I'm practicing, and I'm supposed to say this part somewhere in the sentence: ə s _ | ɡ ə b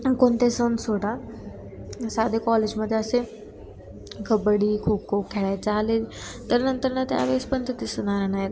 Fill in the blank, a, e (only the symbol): e